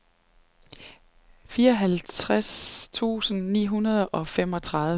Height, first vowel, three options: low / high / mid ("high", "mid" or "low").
high